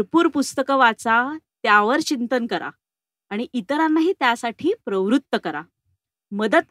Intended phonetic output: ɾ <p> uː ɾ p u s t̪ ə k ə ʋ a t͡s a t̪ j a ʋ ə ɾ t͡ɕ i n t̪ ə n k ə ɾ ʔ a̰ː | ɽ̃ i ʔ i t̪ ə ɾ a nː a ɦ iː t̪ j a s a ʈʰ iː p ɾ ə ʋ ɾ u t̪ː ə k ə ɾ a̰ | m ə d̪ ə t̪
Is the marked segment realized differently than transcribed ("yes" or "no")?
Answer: no